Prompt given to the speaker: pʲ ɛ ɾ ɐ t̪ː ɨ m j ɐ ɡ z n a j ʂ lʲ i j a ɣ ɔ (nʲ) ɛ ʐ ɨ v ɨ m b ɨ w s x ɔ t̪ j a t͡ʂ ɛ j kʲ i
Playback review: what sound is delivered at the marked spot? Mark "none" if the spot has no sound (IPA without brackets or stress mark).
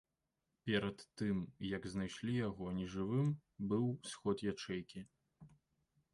nʲ